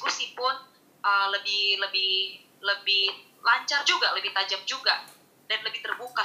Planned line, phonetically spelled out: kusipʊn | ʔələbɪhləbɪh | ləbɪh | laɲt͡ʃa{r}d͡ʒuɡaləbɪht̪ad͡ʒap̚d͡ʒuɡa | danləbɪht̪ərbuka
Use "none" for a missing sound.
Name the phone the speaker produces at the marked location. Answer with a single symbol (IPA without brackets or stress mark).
r